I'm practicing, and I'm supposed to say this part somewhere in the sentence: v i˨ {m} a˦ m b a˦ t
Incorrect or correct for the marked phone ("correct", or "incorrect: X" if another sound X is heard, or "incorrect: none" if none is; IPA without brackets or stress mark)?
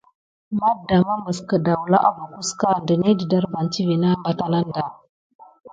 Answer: incorrect: n